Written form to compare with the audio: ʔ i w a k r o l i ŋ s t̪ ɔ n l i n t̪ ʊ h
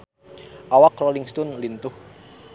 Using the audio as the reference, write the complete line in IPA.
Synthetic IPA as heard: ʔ a w a k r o l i ŋ s t̪ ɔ n l i n t̪ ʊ h